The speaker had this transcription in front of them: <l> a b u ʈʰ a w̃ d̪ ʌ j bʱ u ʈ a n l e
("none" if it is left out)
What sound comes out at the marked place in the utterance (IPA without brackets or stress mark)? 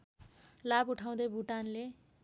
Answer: l